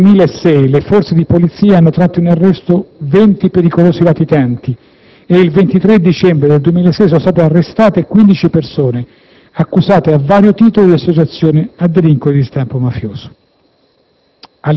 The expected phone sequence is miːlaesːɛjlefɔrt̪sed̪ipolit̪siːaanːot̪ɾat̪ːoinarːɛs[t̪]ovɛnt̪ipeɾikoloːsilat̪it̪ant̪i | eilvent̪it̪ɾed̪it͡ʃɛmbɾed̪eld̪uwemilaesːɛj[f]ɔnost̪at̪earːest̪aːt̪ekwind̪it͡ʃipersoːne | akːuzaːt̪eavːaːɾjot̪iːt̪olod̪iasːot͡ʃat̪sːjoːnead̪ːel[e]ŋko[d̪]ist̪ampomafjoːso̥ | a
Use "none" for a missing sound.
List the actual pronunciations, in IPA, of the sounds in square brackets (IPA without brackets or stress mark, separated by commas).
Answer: t̪, s, i, d̪